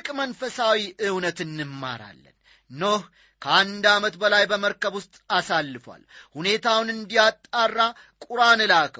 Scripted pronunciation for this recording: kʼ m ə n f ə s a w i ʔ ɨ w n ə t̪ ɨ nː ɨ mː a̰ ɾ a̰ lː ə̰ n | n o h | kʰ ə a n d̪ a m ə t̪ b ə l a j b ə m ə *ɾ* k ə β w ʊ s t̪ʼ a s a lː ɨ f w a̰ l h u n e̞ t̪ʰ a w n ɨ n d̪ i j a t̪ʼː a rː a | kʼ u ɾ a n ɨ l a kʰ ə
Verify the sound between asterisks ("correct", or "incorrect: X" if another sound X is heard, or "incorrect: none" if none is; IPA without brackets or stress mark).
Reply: correct